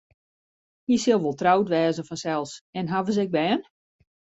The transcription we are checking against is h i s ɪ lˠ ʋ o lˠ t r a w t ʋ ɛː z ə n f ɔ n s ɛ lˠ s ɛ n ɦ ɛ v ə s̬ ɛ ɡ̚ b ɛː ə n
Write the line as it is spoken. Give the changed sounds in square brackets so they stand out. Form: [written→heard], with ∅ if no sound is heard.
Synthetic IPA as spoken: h i s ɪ lˠ ʋ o lˠ t r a w t ʋ ɛː z ə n f ɔ n s ɛ lˠ s ɛ n ɦ [ɛ→a] v ə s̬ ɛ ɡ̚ b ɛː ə n